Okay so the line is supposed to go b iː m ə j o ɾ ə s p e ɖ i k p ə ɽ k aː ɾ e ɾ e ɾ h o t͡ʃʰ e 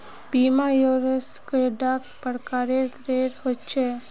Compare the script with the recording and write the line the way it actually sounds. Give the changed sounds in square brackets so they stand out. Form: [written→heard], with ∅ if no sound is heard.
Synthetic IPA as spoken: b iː m [ə→a] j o ɾ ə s [p→k] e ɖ [i→a] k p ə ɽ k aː ɾ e ɾ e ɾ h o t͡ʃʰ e